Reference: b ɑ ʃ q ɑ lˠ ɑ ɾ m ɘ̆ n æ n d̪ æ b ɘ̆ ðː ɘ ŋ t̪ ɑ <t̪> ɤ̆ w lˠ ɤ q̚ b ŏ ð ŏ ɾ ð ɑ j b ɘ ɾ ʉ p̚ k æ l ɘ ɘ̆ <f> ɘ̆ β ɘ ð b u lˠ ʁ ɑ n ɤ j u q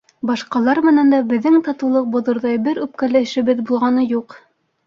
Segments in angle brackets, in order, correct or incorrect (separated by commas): correct, incorrect